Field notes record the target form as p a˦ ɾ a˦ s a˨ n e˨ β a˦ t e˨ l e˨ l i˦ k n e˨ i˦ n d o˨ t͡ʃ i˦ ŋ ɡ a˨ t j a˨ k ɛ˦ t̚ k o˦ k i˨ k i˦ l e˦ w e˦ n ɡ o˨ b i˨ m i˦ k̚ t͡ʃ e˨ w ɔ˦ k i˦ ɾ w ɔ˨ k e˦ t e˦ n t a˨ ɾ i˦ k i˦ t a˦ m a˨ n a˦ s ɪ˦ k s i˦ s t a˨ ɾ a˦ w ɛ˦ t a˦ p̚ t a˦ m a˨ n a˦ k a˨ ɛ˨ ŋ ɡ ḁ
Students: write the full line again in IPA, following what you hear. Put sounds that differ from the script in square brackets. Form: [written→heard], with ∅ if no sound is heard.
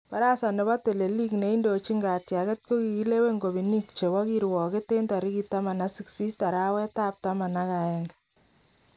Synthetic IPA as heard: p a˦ ɾ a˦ s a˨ n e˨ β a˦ t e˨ l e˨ l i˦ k n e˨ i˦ n d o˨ t͡ʃ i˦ ŋ ɡ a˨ t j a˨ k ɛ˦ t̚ k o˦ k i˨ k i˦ l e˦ w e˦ [n→ŋ] ɡ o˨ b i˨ [m→n] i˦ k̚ t͡ʃ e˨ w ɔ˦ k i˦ ɾ w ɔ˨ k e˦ t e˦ n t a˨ ɾ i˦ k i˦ t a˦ m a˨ n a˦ s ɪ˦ k s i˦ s t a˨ ɾ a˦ w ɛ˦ t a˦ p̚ t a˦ m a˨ n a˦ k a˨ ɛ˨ ŋ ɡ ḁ